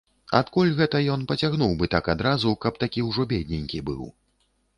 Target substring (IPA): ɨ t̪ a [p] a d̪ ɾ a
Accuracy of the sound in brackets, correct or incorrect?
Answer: incorrect